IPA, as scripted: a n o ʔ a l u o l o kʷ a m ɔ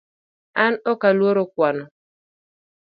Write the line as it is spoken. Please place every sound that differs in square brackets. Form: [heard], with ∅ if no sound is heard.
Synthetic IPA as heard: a n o [k] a l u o [ɾ] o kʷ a [n] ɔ